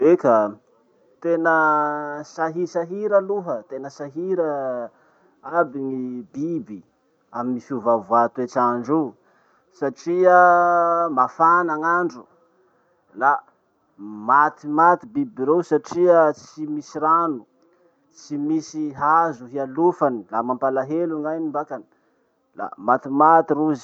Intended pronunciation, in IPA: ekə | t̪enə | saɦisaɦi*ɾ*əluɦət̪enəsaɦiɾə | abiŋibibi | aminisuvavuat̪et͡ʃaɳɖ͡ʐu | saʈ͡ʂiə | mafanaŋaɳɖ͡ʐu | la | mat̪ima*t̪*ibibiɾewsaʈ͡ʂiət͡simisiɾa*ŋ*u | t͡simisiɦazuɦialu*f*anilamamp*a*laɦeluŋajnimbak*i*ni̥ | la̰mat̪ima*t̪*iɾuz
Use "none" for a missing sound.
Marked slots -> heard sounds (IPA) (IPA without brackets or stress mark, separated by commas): ɾ, t̪, n, f, a, a, t̪